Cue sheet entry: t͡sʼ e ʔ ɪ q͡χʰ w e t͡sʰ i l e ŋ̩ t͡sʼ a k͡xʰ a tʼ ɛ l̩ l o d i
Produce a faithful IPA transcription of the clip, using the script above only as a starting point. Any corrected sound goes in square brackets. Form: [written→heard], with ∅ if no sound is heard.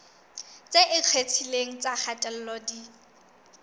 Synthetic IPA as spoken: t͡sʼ e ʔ ɪ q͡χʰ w e t͡sʰ i l e ŋ̩ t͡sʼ a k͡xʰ a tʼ ɛ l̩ l [o→ɔ] d i